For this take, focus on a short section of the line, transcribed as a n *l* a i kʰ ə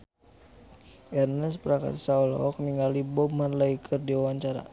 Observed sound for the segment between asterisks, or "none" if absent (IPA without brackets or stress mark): l